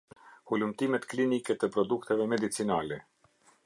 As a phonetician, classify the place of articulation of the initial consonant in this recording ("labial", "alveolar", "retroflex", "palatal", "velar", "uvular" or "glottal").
glottal